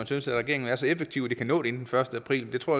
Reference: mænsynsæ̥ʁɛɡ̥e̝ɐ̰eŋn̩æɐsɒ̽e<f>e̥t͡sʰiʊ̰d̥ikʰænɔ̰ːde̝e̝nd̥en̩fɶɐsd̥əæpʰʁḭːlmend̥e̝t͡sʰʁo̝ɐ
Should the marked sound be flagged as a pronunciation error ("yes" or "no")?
no